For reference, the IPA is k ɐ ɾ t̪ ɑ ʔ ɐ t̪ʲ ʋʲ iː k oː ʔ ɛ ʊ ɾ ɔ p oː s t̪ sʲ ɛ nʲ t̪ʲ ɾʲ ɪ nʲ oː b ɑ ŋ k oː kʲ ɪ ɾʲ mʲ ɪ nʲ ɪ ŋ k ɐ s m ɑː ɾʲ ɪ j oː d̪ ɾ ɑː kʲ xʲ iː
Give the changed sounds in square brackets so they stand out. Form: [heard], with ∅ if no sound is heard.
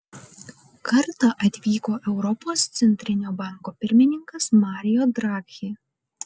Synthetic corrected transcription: k ɐ ɾ t̪ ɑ ʔ ɐ t̪ʲ ʋʲ iː k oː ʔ ɛ ʊ ɾ ɔ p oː s t̪ sʲ ɛ nʲ t̪ʲ ɾʲ ɪ nʲ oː b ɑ ŋ k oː [pʲ] ɪ ɾʲ mʲ ɪ nʲ ɪ ŋ k ɐ s m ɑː ɾʲ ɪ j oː d̪ ɾ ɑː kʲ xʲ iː